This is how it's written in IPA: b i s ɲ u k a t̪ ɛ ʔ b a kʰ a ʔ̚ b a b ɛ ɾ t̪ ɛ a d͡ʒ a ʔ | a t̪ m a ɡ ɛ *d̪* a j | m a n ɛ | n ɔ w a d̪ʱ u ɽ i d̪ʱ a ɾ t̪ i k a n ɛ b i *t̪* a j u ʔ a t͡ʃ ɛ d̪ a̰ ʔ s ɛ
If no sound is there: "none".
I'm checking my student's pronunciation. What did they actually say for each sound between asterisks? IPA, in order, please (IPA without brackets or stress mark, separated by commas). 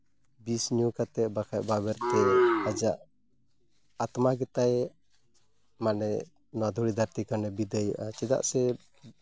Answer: t̪, d̪